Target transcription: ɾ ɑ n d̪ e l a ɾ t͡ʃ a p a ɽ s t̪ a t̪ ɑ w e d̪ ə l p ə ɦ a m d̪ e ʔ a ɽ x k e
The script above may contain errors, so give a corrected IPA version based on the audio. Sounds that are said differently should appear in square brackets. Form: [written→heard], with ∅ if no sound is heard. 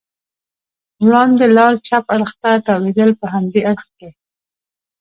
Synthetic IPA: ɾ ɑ n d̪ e l [a→ɑ] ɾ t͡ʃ a p a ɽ [s→x] t̪ a t̪ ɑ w e d̪ ə l p ə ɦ a m d̪ e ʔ a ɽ x k e